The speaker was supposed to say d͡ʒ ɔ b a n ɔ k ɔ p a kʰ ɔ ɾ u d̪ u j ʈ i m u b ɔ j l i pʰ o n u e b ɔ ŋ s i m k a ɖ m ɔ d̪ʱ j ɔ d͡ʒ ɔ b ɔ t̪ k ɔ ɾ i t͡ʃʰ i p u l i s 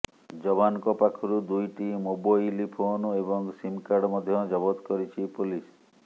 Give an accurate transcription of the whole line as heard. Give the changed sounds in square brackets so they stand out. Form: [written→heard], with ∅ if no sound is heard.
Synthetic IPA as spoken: d͡ʒ ɔ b a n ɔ k ɔ p a kʰ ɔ ɾ u d̪ u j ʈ i m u b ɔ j l i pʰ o n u e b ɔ ŋ s i m k a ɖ m ɔ d̪ʱ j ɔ d͡ʒ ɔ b ɔ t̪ k ɔ ɾ i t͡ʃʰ i p u l i s